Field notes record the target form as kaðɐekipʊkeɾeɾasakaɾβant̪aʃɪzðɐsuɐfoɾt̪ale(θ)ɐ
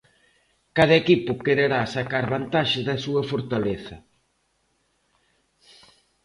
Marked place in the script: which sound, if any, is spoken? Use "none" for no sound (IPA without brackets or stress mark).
θ